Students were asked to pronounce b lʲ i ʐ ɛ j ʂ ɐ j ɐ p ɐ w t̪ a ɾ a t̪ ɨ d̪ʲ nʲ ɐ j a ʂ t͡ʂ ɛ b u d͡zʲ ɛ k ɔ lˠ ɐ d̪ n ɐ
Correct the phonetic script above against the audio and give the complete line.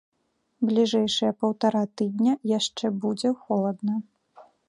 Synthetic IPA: b lʲ i ʐ ɛ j ʂ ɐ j ɐ p ɐ w t̪ a ɾ a t̪ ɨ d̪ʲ nʲ ɐ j a ʂ t͡ʂ ɛ b u d͡zʲ ɛ x ɔ lˠ ɐ d̪ n ɐ